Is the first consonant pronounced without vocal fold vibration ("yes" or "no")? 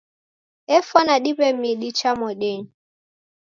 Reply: yes